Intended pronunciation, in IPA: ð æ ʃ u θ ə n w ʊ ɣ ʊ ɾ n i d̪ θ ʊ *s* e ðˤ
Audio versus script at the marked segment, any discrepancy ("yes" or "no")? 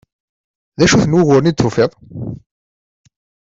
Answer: yes